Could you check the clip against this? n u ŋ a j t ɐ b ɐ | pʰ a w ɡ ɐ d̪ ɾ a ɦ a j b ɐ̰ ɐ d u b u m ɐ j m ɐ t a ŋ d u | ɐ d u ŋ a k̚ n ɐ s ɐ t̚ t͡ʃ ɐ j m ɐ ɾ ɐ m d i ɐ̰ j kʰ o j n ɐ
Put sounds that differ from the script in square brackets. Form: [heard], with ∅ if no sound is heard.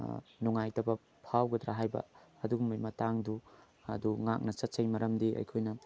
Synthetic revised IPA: n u ŋ a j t ɐ b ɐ | pʰ a w ɡ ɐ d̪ ɾ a ɦ a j b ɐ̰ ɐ d u [ɡ] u m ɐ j m ɐ t a ŋ d u | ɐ d u ŋ a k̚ n ɐ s ɐ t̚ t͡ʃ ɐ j m ɐ ɾ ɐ m d i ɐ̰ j kʰ o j n ɐ